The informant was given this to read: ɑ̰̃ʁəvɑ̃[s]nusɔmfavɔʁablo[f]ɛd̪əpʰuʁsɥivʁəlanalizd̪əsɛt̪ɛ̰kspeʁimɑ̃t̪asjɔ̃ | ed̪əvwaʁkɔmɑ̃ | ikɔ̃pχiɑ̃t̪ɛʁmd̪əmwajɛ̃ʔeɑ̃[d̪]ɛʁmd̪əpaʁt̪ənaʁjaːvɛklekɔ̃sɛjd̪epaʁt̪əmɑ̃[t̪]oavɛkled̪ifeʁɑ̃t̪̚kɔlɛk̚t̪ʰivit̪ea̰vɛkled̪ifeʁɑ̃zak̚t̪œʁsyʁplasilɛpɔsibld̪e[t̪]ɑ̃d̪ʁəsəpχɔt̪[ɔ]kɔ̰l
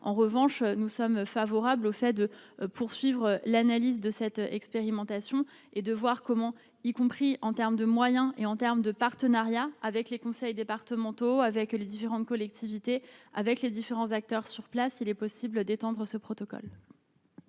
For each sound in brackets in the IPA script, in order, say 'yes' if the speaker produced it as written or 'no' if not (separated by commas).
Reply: no, yes, no, yes, yes, yes